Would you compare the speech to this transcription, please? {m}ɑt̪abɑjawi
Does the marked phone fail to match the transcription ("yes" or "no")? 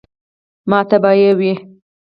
no